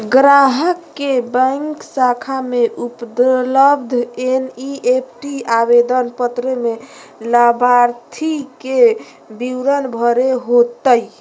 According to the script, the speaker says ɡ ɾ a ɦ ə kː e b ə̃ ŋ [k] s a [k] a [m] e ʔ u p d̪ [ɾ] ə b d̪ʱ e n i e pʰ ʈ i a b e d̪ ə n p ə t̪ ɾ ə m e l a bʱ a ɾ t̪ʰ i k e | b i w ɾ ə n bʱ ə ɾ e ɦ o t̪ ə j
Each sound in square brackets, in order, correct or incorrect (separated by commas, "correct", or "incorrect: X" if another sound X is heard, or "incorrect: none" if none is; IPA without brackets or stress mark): correct, incorrect: kʰ, correct, incorrect: l